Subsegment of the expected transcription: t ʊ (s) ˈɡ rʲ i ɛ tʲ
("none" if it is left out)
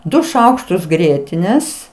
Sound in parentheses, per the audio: s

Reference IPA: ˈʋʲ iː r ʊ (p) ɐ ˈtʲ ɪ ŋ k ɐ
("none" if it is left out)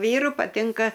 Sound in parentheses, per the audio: p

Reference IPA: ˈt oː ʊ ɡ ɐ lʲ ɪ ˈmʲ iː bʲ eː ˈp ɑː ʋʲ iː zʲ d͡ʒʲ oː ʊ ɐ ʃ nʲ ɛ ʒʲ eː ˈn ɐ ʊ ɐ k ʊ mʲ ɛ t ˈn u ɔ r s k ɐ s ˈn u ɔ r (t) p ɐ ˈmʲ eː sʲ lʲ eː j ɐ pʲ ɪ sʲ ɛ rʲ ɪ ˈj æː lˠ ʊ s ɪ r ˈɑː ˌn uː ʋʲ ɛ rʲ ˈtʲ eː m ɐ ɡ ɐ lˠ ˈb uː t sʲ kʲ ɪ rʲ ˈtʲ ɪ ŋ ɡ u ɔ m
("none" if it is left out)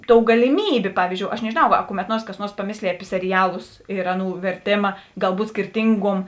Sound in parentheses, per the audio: s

